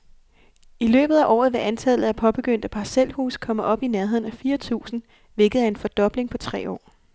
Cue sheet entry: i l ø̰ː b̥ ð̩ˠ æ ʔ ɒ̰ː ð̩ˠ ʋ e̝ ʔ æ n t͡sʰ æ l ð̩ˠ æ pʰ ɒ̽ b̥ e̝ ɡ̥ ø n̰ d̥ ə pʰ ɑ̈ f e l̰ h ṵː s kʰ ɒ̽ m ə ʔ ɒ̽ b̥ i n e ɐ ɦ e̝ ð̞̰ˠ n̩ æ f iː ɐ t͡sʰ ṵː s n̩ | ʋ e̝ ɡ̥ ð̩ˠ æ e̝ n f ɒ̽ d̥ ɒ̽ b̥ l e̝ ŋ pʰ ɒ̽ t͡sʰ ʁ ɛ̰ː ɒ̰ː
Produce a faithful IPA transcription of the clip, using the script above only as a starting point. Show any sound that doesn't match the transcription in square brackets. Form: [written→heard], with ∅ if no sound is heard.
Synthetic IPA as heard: i l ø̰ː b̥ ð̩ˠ æ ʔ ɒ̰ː ð̩ˠ ʋ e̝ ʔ æ n t͡sʰ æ l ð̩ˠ æ pʰ ɒ̽ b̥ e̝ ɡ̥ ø n̰ d̥ ə pʰ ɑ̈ [f→s] e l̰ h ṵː s kʰ ɒ̽ m ə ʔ ɒ̽ b̥ i n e ɐ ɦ e̝ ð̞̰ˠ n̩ æ f iː ɐ t͡sʰ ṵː s n̩ | ʋ e̝ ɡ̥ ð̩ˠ æ e̝ n f ɒ̽ d̥ ɒ̽ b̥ l e̝ ŋ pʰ ɒ̽ t͡sʰ ʁ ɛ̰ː ɒ̰ː